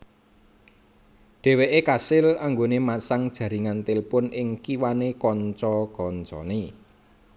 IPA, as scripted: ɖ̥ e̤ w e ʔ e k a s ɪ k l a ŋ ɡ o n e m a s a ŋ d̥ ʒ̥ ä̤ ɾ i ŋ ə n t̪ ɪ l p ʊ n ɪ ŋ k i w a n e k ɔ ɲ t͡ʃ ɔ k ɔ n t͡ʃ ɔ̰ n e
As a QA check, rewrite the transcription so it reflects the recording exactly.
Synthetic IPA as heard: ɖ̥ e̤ w e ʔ e k a s ɪ l a ŋ ɡ o n e m a s a ŋ d̥ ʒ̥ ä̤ ɾ i ŋ a n t̪ ɪ l p ʊ n ɪ ŋ k i w a n e k ɔ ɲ t͡ʃ ɔ k ɔ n t͡ʃ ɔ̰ n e

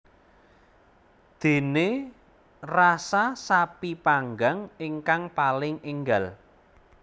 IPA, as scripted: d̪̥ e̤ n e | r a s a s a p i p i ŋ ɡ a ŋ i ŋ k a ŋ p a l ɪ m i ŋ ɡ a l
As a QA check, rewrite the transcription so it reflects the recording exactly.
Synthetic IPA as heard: d̪̥ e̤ n e | r a s a s a p i p a ŋ ɡ a ŋ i ŋ k a ŋ p a l ɪ ŋ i ŋ ɡ a l

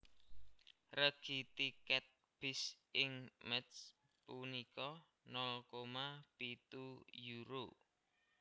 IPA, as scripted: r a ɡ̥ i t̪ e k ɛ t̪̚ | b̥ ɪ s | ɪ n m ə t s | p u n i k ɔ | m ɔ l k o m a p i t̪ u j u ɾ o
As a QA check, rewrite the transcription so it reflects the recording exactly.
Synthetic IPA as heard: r ə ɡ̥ i t̪ i k ɛ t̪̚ | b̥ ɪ s | ɪ ŋ m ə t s | p u n i k ɔ | n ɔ l k o m a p i t̪ u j u ɾ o

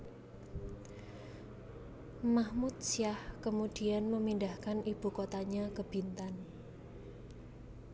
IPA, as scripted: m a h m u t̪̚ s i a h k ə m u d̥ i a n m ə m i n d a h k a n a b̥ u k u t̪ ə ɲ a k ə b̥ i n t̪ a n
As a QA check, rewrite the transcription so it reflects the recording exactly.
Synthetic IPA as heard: m a h m u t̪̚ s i a h k ə m u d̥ i a n m ə m i n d a h k a n i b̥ u k o t̪ a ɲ a k ə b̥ i n t̪ a n

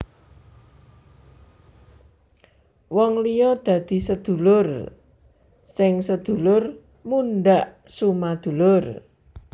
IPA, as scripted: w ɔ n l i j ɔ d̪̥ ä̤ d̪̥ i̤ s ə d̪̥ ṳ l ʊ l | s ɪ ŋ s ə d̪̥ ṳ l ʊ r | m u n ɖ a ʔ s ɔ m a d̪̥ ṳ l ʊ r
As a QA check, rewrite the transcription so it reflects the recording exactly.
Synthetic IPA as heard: w ɔ ŋ l i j ɔ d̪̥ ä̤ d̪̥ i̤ s ə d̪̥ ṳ l ʊ r | s ɪ ŋ s ə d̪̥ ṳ l ʊ r | m u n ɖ a ʔ s u m a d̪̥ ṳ l ʊ r

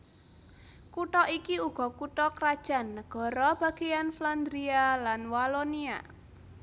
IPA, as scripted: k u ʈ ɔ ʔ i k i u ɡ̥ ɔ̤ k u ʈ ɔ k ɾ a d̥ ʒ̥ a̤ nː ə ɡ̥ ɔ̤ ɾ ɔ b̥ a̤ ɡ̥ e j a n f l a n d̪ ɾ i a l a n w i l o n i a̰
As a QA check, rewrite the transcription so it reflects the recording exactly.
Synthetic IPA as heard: k u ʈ ɔ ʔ i k i u ɡ̥ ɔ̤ k u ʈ ɔ k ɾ a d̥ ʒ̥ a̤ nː ə ɡ̥ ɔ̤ ɾ ɔ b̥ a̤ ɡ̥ e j a n f l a n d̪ ɾ i a l a n w a l o n i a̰

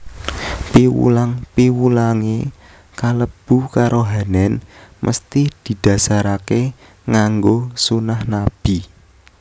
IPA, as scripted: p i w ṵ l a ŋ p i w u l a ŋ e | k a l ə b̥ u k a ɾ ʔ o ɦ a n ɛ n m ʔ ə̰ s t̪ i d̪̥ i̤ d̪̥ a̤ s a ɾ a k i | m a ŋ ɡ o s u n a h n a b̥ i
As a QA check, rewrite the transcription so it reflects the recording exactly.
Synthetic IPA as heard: p i w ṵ l a ŋ p i w u l a ŋ e | k a l ə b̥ u k a ɾ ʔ o ɦ a n ɛ n m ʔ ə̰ s t̪ i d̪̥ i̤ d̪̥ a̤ s a ɾ a k e | ŋ a ŋ ɡ o s u n a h n a b̥ i

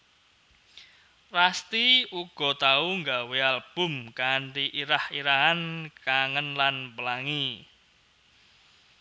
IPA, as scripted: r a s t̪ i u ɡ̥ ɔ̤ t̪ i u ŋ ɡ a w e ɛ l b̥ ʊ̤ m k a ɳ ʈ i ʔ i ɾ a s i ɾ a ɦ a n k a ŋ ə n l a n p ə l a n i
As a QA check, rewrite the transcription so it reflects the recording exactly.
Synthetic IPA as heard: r a s t̪ i u ɡ̥ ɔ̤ t̪ a u ŋ ɡ a w e a l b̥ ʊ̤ m k a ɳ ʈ i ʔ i ɾ a h i ɾ a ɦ a n k a ŋ ə n l a n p ə l a ŋ i

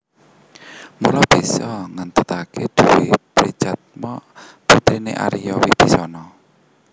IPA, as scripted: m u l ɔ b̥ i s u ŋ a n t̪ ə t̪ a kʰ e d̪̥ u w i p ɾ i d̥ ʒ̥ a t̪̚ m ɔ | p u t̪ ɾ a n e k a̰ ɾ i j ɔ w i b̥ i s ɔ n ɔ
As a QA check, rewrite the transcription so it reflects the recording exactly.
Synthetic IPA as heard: m u l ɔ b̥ i s ɔ ŋ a n t̪ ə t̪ a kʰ e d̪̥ u w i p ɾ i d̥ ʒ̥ a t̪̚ m ɔ | p u t̪ ɾ i n e ʔ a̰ ɾ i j ɔ w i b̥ i s ɔ n ɔ

